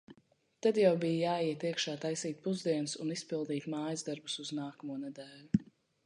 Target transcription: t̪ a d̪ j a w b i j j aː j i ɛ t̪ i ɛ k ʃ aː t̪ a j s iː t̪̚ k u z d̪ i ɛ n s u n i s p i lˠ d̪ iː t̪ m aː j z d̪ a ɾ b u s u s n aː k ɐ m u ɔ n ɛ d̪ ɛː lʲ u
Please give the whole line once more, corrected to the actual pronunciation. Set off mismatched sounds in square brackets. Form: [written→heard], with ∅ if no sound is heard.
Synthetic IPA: t̪ a d̪ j a w b i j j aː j i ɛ t̪ i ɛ k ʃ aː t̪ a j s iː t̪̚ [k→p] u z d̪ i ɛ n s u n i s p i lˠ d̪ iː t̪ m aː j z d̪ a ɾ b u s u [s→z] n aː k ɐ m u ɔ n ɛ d̪ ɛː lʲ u

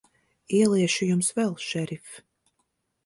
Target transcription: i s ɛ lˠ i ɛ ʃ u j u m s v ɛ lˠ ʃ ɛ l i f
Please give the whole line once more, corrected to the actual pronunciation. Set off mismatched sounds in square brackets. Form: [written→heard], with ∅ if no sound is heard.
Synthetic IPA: i [s→∅] ɛ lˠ i ɛ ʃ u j u m s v ɛ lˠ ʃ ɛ [l→ɾ] i f

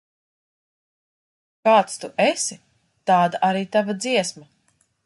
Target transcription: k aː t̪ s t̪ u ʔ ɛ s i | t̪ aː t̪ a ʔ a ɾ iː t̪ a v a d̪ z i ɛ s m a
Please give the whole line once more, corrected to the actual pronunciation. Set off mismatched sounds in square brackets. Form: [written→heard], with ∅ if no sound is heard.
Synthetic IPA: k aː t̪ s t̪ u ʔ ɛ s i | t̪ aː [t̪→d̪] a ʔ a ɾ iː t̪ a v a d̪ z i ɛ s m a

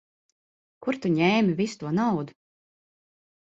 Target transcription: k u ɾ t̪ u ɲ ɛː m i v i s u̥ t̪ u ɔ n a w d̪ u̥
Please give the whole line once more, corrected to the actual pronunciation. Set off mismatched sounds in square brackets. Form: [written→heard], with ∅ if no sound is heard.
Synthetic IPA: k u ɾ t̪ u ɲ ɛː m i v i s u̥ t̪ u ɔ n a w d̪ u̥

